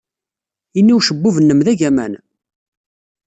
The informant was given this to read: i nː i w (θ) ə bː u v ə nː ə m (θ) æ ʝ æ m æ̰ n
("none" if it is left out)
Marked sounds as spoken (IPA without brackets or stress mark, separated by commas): ʃ, ð